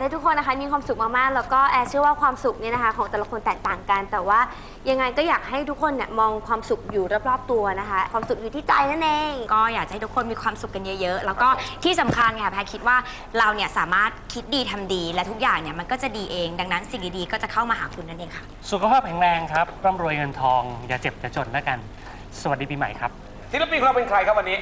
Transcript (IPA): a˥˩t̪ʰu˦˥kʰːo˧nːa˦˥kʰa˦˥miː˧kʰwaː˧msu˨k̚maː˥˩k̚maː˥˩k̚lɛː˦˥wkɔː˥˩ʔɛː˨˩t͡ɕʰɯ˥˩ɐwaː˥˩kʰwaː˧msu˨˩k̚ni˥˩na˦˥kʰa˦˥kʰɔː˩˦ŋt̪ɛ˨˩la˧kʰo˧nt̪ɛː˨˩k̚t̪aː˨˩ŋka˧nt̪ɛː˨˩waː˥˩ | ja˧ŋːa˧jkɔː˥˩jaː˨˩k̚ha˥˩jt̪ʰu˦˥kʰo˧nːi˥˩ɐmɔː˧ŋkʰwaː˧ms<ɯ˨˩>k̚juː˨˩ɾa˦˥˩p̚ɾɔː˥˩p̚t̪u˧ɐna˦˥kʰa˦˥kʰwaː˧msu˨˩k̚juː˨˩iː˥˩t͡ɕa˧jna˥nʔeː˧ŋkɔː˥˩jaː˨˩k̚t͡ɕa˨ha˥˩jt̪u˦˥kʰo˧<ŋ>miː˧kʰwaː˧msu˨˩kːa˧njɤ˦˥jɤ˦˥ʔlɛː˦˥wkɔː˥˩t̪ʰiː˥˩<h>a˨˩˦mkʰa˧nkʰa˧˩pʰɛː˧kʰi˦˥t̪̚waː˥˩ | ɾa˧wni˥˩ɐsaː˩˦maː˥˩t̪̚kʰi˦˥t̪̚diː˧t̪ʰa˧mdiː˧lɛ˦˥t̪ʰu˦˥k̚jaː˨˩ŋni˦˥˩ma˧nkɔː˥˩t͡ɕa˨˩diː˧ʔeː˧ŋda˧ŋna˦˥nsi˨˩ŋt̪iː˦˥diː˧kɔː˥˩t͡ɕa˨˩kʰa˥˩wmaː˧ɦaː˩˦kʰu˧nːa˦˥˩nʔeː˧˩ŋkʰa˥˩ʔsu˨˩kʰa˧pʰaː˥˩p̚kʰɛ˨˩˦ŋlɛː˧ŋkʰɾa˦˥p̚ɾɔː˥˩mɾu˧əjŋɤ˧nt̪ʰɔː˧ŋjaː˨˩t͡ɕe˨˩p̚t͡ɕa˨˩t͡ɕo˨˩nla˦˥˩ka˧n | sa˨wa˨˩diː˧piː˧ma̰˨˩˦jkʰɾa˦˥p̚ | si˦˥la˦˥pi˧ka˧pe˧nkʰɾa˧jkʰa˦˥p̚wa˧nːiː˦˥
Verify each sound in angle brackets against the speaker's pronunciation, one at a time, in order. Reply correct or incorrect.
incorrect: u˨˩, incorrect: n, incorrect: s

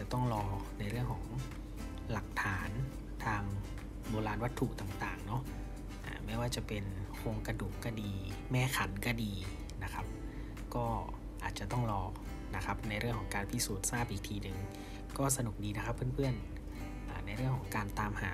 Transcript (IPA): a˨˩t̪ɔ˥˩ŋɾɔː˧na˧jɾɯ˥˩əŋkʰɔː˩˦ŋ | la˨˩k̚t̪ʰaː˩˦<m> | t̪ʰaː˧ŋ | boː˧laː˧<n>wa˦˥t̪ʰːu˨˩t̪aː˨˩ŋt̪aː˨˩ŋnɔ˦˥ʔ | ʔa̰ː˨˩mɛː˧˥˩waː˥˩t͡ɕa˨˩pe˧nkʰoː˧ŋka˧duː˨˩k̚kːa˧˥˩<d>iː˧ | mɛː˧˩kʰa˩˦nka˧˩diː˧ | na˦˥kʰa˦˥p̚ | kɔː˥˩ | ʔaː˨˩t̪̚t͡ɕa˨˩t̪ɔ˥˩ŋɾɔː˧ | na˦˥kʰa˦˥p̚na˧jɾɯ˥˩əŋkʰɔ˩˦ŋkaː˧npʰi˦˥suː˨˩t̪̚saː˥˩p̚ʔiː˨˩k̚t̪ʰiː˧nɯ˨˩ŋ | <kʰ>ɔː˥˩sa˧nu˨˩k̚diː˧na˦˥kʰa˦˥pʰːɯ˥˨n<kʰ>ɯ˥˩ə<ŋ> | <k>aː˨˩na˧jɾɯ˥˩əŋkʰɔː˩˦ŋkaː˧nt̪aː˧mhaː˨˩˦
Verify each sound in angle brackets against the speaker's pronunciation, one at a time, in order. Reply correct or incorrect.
incorrect: n, correct, correct, incorrect: k, incorrect: pʰ, incorrect: n, incorrect: ʔ

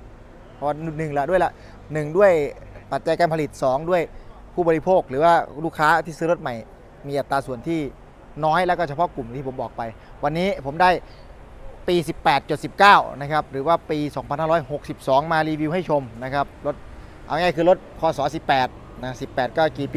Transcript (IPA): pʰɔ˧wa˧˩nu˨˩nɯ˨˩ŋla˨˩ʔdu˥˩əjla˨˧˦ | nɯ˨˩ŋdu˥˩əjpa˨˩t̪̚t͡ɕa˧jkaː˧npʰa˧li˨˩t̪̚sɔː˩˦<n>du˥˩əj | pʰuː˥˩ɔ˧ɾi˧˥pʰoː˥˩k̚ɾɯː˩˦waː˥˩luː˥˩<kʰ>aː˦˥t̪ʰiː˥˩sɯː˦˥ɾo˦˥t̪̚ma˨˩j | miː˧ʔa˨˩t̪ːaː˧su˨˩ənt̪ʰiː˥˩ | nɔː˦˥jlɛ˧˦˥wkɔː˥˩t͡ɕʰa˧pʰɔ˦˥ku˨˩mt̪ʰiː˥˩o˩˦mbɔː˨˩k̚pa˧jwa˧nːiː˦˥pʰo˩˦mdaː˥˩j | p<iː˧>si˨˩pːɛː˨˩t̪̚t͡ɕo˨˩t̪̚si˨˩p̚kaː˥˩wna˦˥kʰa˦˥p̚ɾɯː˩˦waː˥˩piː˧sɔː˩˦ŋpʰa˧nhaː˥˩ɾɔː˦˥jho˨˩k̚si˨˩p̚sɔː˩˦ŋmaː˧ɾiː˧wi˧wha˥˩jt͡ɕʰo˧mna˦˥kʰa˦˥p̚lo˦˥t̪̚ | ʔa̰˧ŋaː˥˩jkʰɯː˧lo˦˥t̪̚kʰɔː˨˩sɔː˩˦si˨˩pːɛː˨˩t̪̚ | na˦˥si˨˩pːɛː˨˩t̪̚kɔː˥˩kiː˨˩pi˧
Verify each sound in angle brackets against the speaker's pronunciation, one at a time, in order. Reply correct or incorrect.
incorrect: ŋ, correct, correct

